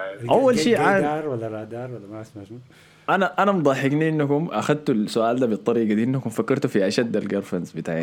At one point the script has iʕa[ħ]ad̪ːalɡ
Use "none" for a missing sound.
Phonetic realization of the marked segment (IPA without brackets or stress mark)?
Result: ʃ